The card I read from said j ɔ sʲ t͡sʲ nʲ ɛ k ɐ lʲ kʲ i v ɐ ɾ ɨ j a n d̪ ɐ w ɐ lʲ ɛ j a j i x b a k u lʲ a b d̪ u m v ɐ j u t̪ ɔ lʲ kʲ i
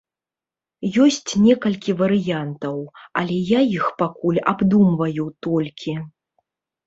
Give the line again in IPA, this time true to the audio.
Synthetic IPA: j ɔ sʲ t͡sʲ nʲ ɛ k ɐ lʲ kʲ i v ɐ ɾ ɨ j a n t̪ ɐ w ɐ lʲ ɛ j a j i x p a k u lʲ a b d̪ u m v ɐ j u t̪ ɔ lʲ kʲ i